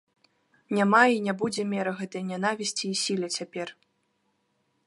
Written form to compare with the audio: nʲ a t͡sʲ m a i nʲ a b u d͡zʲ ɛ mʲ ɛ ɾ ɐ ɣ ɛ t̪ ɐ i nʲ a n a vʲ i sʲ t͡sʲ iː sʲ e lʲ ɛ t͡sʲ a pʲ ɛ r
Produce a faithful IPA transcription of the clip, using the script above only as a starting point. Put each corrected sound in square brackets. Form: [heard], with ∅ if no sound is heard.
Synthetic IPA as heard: nʲ a [∅] m a i nʲ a b u d͡zʲ ɛ mʲ ɛ ɾ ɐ ɣ ɛ t̪ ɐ [j] nʲ a n a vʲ i sʲ t͡sʲ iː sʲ [i] lʲ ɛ t͡sʲ a pʲ ɛ r

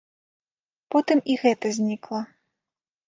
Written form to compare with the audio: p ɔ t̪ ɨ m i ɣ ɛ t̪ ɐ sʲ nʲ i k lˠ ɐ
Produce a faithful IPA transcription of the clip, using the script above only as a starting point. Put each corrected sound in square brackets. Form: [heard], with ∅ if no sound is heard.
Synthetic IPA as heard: p ɔ t̪ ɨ m i ɣ ɛ t̪ ɐ [zʲ] nʲ i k lˠ ɐ

